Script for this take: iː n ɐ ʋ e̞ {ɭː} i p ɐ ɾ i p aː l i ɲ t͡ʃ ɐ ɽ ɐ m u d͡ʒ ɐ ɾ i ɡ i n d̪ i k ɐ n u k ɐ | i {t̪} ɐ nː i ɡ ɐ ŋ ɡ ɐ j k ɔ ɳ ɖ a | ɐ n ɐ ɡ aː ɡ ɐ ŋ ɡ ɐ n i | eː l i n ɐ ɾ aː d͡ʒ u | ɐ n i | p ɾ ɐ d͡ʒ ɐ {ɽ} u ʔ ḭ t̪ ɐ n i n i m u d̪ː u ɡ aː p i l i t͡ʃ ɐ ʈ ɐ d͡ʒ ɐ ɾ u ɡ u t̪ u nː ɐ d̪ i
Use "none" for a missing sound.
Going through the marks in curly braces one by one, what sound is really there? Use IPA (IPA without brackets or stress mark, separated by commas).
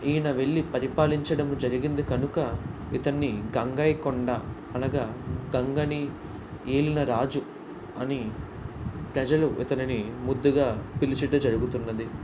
ɭː, t̪, l